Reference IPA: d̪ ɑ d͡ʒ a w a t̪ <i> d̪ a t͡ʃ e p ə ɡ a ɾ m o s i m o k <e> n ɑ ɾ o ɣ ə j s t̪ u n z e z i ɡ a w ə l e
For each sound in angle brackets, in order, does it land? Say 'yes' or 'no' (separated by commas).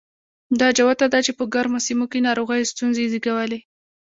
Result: no, yes